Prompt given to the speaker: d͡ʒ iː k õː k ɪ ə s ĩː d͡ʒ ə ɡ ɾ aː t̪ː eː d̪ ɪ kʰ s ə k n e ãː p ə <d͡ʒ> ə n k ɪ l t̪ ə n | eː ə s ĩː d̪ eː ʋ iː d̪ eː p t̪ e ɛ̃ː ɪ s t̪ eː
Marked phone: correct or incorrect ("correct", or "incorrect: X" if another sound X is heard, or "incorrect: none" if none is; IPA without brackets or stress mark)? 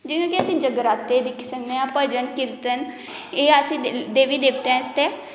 correct